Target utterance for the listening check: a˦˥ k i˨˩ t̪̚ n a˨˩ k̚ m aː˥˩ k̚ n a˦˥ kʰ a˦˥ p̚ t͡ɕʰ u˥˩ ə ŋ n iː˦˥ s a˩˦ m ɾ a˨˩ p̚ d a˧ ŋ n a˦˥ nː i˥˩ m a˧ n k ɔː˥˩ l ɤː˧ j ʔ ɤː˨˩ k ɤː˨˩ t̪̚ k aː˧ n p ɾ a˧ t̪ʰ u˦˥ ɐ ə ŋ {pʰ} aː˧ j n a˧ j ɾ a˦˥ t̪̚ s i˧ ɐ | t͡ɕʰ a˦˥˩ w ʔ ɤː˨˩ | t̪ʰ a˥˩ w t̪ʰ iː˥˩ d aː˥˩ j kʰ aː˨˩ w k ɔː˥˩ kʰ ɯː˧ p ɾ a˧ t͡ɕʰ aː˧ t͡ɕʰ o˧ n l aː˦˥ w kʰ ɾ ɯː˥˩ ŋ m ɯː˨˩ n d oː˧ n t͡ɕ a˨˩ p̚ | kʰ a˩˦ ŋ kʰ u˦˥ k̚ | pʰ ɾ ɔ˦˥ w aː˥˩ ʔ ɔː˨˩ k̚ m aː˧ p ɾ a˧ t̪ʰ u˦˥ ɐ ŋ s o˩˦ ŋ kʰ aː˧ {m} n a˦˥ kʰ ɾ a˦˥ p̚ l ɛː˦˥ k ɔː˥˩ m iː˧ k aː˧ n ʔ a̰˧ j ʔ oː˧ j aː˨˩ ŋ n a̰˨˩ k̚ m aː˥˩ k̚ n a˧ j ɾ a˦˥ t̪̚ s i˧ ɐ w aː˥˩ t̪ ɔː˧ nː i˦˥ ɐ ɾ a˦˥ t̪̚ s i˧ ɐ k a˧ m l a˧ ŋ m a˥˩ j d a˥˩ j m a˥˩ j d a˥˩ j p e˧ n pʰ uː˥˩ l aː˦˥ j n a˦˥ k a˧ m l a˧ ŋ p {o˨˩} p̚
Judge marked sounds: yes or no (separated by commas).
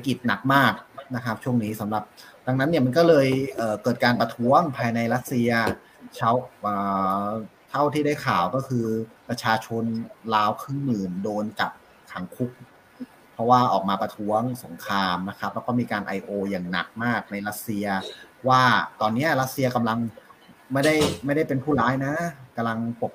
yes, yes, yes